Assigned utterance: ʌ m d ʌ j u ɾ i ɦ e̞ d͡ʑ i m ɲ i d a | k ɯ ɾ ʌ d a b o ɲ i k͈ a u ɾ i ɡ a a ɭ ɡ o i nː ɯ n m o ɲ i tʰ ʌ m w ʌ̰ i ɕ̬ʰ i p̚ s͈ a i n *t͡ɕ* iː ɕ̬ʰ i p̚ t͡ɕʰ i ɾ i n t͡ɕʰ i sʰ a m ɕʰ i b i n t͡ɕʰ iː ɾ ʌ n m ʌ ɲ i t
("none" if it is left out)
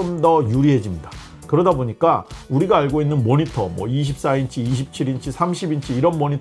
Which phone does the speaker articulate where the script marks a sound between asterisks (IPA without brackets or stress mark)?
t͡ɕʰ